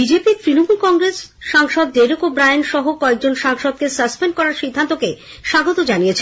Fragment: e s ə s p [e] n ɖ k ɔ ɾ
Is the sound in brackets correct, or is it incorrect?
correct